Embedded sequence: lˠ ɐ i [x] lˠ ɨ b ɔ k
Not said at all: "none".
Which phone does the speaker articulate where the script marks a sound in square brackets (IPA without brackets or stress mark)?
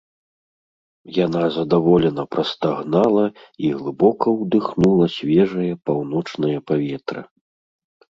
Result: ɣ